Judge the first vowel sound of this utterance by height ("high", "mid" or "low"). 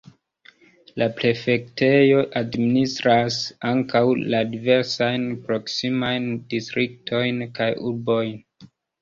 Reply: low